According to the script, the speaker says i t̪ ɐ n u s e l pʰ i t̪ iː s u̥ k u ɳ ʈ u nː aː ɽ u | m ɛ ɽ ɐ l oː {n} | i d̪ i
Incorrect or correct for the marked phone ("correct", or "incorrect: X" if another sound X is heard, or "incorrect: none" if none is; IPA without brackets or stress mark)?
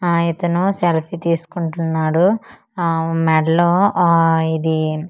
incorrect: none